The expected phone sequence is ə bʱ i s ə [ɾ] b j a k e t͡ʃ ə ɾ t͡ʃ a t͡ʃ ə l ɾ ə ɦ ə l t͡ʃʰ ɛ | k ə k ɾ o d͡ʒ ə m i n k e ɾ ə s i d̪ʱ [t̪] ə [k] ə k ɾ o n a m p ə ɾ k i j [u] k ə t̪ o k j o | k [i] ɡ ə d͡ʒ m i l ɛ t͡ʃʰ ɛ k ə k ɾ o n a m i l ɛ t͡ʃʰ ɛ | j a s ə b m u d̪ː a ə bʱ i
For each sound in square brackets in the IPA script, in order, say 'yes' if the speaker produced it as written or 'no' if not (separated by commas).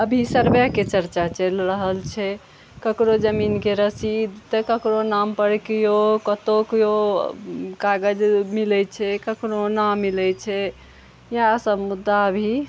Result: yes, yes, yes, no, no